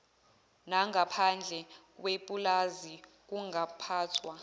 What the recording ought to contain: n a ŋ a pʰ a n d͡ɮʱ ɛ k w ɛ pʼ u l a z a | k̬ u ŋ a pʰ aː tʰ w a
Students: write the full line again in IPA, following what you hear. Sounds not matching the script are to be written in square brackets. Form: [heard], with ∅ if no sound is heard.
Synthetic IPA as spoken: n a ŋ a pʰ a n d͡ɮʱ ɛ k w [e] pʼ u l a z [i] | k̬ u ŋ a pʰ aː tʰ w a